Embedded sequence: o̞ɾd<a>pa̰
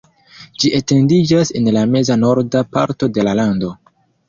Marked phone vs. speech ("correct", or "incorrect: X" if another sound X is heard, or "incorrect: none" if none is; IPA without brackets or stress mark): correct